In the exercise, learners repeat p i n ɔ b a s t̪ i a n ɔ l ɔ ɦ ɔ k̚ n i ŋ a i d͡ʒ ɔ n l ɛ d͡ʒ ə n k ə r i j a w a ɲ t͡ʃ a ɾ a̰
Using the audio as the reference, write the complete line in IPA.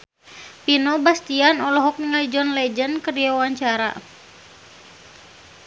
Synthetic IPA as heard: p i n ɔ b a s t̪ i a n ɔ l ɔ ɦ ɔ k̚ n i ŋ a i d͡ʒ ɔ n l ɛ d͡ʒ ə n k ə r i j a w a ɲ t͡ʃ a ɾ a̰